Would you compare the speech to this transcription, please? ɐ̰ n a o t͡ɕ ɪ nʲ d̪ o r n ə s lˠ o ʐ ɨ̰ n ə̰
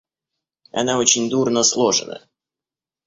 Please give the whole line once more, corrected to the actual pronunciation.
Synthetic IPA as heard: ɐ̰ n a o t͡ɕ ɪ nʲ d̪ u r n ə s lˠ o ʐ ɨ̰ n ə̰